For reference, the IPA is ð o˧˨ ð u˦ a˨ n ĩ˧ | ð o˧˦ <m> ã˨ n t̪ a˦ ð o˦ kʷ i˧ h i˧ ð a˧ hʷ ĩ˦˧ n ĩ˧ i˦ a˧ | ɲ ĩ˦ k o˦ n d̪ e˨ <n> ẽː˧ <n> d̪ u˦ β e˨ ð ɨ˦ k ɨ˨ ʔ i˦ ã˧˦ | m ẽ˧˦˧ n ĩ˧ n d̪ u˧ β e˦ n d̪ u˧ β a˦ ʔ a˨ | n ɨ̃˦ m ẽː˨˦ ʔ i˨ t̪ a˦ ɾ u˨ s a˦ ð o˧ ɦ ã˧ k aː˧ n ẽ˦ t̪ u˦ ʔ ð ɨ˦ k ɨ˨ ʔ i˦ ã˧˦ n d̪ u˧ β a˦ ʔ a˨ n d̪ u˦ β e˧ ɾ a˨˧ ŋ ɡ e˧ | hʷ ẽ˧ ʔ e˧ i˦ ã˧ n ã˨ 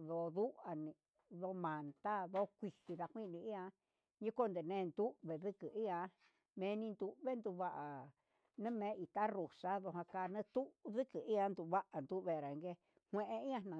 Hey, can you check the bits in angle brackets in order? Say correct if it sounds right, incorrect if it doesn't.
correct, correct, correct

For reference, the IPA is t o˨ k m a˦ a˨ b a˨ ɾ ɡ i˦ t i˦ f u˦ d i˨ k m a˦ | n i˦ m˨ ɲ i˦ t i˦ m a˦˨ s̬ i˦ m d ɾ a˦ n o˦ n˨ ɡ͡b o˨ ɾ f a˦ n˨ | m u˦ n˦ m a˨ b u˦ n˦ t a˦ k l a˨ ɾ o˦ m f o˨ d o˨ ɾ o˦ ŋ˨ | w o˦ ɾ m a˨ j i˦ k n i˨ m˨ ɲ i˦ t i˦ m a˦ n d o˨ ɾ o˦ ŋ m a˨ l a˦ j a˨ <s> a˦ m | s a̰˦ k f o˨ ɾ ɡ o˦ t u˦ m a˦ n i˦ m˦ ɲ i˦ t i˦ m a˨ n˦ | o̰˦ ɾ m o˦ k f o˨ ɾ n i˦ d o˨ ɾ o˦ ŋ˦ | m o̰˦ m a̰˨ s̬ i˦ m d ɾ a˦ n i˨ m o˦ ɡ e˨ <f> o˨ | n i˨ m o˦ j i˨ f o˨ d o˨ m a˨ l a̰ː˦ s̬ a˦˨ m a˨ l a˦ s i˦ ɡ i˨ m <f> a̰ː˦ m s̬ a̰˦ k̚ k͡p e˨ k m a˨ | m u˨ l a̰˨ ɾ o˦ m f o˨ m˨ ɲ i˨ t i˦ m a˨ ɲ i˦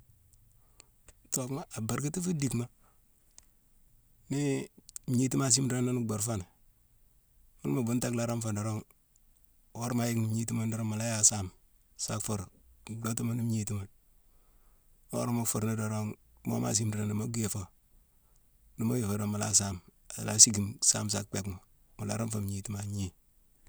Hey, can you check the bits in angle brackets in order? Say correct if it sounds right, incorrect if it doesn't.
correct, correct, incorrect

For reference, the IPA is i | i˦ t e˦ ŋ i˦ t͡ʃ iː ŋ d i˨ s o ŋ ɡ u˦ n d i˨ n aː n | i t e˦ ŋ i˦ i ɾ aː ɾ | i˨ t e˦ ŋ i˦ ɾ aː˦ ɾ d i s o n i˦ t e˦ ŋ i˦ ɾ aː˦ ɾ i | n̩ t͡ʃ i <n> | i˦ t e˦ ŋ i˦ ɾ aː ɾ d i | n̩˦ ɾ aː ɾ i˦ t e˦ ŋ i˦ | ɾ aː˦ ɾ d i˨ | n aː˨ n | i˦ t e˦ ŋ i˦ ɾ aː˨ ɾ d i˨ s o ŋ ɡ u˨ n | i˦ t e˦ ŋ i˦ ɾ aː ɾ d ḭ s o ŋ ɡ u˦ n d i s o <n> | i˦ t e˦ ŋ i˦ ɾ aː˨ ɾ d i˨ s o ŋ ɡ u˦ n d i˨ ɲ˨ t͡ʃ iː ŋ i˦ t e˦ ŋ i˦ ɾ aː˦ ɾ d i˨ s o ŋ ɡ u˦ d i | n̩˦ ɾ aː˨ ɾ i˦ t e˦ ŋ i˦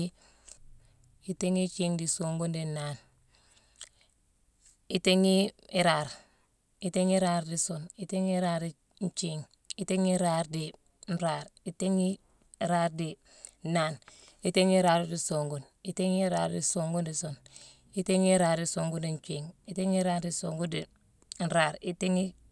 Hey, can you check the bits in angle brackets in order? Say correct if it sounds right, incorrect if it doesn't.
incorrect, correct

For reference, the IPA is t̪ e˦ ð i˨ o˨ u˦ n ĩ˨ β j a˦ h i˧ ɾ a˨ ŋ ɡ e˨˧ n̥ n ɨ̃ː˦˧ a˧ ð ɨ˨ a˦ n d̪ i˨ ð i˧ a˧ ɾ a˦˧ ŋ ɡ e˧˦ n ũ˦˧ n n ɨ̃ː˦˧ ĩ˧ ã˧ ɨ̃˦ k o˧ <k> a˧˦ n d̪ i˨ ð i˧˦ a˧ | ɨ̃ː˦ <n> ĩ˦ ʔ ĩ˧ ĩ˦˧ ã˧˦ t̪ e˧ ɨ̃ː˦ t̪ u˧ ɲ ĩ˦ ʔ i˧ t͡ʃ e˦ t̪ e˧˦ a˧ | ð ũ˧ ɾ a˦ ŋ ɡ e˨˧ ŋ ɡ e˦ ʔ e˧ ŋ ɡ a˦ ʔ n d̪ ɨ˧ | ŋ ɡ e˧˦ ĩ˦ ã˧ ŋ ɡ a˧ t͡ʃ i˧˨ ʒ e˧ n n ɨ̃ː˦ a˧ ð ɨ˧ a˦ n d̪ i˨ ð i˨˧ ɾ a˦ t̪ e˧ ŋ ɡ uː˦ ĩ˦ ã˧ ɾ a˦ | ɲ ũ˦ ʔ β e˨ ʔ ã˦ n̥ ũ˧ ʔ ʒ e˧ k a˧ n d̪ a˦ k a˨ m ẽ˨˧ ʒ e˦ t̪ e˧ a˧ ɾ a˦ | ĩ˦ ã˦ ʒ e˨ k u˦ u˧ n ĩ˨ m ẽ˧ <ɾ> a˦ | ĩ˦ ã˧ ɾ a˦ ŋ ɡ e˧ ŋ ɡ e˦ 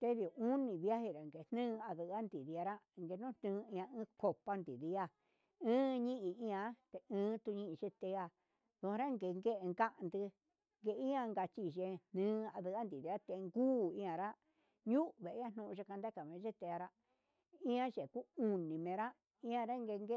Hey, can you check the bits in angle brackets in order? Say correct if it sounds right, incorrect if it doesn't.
incorrect, incorrect, correct

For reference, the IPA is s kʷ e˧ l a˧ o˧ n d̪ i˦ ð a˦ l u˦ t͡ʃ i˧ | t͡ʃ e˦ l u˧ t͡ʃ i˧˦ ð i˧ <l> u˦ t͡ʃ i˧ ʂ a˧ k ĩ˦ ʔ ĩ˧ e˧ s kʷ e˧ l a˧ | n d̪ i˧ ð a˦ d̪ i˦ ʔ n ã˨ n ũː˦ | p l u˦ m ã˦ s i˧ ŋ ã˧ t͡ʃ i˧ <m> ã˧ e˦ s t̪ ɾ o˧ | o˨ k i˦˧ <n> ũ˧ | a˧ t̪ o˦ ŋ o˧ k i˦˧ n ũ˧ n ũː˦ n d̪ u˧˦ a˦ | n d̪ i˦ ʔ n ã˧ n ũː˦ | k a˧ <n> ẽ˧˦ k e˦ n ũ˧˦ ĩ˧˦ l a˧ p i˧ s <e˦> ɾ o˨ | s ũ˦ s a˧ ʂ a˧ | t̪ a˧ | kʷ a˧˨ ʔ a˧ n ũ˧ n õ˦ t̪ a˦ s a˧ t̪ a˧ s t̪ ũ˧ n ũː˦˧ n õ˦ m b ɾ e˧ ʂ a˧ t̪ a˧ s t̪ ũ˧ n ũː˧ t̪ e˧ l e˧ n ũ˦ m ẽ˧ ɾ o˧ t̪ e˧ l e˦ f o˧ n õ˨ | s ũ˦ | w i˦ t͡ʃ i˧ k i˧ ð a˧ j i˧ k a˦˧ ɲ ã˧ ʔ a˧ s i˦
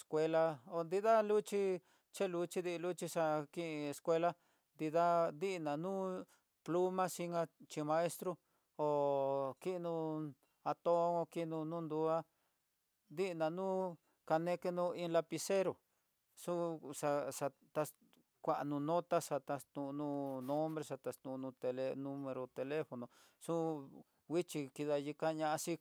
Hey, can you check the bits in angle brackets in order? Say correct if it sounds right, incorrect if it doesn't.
correct, correct, correct, correct, correct

